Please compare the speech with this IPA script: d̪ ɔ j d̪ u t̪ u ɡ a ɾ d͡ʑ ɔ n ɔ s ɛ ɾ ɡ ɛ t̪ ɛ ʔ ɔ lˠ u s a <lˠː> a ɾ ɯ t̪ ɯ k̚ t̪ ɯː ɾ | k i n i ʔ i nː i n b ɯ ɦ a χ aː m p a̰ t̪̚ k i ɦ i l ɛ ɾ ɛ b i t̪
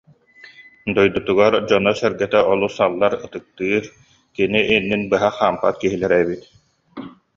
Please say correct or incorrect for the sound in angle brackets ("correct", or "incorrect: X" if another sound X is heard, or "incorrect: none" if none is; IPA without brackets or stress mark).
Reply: correct